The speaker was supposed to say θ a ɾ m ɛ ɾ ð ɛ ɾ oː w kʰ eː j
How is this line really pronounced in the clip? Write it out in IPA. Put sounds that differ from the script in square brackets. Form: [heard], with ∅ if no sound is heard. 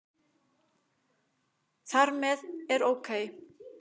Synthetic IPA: θ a ɾ m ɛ [∅] ð ɛ ɾ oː w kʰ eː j